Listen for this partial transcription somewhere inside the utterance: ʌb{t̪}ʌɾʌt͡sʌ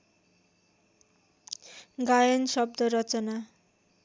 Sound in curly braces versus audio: incorrect: d̪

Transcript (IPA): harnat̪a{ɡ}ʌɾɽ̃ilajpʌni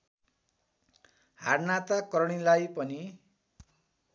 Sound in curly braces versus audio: incorrect: k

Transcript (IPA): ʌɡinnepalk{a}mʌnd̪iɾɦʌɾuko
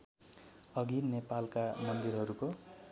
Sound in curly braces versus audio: correct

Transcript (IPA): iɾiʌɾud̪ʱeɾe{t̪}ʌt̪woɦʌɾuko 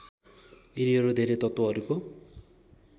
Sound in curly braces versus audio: correct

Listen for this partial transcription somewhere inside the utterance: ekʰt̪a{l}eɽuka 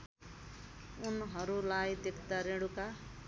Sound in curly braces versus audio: incorrect: ɾ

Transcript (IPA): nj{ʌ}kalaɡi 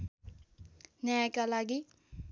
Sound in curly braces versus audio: incorrect: a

